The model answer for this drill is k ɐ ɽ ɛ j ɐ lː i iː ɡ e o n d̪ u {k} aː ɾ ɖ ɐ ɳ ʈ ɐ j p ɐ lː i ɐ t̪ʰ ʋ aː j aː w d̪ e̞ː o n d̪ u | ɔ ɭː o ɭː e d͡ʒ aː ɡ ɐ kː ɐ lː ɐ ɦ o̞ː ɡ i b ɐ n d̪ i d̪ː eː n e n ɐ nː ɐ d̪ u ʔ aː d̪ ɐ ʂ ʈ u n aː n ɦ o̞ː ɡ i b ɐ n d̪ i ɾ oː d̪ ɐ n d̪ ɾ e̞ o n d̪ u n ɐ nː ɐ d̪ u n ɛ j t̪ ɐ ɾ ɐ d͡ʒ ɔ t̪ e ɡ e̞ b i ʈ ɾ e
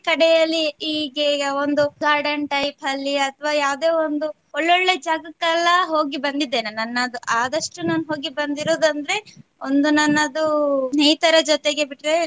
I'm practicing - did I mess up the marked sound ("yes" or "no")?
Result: yes